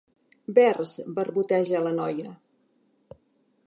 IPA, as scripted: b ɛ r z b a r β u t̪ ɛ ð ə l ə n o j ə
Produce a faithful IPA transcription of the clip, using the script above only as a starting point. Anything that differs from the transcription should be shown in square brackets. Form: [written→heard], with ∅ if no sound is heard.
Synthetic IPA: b ɛ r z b [a→ə] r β u t̪ ɛ [ð→ʒ] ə l ə n [o→ɔ] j ə